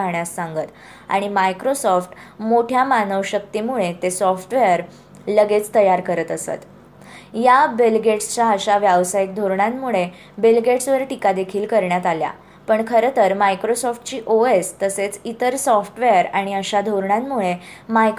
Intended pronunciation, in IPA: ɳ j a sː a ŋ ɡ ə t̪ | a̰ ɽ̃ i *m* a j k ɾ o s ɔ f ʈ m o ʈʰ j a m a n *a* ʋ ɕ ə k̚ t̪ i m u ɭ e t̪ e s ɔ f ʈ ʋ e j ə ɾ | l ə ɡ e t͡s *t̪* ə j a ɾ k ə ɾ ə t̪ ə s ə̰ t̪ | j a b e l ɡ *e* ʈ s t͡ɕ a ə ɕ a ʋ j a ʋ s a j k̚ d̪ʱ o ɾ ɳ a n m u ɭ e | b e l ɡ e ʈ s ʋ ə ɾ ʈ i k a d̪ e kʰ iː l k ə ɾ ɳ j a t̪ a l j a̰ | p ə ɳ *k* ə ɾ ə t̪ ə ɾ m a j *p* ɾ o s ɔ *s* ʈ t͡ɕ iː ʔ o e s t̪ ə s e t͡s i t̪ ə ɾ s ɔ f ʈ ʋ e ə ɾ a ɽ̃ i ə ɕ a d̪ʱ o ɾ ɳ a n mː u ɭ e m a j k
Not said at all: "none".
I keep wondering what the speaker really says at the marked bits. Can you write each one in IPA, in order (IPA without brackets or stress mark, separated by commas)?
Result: m, ə, t̪, e, kʰ, k, f